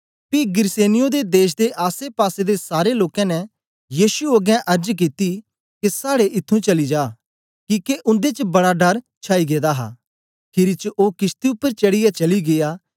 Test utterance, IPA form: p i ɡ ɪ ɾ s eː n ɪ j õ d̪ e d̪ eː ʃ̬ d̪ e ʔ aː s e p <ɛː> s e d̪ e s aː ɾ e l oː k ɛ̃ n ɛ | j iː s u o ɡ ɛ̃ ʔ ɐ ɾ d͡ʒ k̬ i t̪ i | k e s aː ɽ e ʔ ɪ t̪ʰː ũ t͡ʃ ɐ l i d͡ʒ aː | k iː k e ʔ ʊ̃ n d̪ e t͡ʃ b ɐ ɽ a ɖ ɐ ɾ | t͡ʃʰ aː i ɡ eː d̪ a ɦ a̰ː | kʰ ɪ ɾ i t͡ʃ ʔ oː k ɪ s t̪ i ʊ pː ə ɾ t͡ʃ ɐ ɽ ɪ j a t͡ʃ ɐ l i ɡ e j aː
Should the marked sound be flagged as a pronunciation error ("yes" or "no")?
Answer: yes